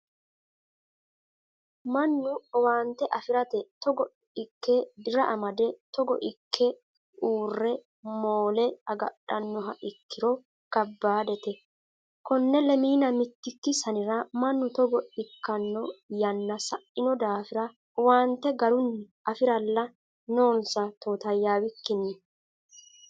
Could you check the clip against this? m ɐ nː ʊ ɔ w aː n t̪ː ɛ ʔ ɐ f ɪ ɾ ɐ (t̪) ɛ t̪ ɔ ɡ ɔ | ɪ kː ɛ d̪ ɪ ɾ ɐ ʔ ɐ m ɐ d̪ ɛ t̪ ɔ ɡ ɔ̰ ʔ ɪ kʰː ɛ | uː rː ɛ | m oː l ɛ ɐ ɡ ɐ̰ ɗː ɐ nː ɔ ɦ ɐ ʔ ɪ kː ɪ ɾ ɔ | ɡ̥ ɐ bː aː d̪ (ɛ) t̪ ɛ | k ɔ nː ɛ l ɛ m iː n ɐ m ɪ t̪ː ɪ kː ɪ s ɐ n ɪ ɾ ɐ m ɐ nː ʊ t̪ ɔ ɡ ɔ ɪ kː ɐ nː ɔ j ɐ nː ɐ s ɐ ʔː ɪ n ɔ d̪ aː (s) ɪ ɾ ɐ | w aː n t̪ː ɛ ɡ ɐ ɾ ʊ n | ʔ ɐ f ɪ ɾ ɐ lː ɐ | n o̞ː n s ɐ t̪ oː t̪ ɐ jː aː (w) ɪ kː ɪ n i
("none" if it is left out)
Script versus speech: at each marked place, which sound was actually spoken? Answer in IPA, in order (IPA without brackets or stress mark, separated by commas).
t̪, ɛ, f, w